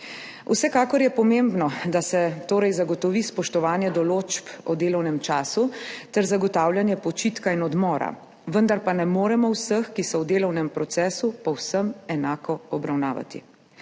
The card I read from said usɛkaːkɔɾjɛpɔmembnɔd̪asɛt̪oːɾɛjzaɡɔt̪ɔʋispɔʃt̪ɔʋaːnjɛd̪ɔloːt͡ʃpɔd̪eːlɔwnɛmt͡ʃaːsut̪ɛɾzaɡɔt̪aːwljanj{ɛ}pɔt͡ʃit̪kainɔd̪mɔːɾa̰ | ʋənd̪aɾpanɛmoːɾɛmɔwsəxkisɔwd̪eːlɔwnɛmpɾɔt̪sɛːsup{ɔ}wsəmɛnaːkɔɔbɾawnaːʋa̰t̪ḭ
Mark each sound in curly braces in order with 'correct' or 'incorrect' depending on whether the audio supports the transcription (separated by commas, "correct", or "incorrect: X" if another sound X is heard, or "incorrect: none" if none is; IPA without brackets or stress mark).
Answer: correct, correct